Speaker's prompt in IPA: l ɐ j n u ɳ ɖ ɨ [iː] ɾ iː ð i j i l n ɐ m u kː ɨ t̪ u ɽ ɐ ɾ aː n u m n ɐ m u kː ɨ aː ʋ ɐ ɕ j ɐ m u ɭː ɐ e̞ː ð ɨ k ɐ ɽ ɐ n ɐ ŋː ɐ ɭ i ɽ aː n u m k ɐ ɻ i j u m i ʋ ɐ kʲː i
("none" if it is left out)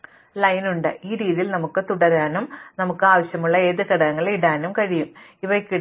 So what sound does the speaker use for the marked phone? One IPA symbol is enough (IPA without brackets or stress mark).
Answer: iː